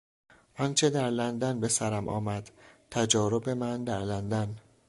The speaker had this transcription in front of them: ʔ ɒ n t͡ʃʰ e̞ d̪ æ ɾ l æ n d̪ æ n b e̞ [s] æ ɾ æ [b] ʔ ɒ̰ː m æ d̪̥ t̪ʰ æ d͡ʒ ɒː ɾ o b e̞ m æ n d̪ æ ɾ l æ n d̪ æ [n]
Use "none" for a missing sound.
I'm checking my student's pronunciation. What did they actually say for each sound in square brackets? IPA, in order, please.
s, m, n

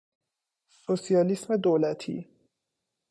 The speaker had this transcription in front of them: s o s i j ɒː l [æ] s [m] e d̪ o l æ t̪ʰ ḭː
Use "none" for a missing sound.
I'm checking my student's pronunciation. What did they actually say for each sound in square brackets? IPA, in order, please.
i, m

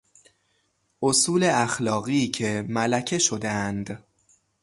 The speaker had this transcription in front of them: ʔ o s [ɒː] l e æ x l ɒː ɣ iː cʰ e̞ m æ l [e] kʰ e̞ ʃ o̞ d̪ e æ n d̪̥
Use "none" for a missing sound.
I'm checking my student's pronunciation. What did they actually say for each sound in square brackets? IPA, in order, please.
uː, æ

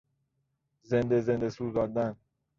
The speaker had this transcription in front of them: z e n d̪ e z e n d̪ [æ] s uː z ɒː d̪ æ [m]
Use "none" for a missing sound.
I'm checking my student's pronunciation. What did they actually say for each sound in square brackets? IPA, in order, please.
e, n

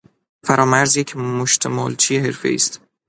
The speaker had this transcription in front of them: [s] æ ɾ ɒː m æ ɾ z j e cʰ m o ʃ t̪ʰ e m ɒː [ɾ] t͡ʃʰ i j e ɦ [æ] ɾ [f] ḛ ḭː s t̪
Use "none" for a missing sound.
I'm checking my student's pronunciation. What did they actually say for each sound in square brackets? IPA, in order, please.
f, l, e, f

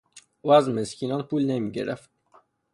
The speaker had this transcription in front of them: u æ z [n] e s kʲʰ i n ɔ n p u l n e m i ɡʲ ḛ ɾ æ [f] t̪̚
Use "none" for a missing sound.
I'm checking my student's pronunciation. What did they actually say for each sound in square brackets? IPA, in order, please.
m, f

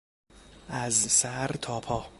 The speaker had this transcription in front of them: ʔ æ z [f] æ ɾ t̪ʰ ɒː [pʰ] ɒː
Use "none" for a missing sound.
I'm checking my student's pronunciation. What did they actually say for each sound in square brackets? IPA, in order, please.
s, pʰ

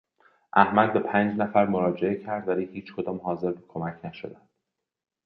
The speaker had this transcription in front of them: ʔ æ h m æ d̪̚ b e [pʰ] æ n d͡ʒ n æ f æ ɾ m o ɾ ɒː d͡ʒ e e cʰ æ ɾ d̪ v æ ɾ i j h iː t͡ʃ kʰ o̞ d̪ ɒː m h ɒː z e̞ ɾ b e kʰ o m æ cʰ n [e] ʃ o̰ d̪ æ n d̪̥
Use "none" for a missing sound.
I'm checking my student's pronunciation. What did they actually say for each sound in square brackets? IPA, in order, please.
pʰ, æ

